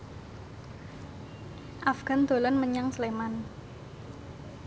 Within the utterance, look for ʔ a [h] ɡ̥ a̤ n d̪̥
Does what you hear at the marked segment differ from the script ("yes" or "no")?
yes